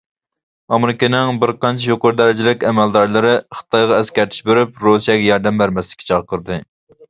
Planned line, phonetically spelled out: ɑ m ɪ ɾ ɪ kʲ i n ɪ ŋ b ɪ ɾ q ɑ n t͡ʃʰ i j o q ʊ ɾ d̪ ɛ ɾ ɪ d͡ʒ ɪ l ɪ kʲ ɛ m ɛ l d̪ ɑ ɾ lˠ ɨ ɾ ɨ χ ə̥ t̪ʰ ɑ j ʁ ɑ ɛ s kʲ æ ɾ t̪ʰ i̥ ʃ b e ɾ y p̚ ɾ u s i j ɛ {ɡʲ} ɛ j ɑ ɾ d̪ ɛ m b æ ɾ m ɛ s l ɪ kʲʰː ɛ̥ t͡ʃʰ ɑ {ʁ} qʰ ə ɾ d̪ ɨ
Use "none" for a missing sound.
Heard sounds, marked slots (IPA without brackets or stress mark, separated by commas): ɡʲ, ʁ